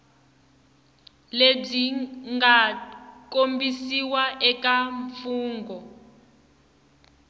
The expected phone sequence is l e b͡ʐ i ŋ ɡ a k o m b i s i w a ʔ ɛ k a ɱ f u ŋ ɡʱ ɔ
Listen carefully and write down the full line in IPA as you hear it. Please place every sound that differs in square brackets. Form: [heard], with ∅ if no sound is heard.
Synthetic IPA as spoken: l e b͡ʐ i ŋ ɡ a k o m b i s i w a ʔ ɛ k a ɱ f [uː] ŋ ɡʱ ɔ